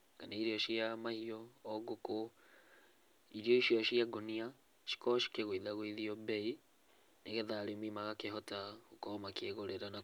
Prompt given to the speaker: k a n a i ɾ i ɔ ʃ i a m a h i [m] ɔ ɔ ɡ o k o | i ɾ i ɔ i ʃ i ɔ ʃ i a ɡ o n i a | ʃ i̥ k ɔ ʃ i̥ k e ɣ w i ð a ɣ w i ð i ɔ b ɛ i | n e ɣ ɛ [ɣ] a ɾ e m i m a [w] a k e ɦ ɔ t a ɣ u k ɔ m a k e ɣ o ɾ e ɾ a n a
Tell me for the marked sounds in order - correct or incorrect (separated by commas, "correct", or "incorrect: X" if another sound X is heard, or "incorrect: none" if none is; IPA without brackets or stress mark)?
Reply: incorrect: none, incorrect: ð, incorrect: ɣ